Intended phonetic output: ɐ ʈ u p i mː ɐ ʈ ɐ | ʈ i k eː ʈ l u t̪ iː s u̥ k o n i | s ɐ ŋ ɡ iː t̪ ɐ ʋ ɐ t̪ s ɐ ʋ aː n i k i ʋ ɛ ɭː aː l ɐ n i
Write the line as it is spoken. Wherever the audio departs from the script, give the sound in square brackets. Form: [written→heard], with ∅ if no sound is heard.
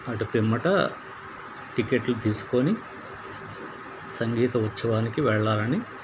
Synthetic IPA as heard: ɐ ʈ u p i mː ɐ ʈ ɐ | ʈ i k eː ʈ l u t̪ iː s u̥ k o n i | s ɐ ŋ ɡ iː t̪ ɐ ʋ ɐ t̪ s ɐ ʋ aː n i k i ʋ ɛ ɭː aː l ɐ n i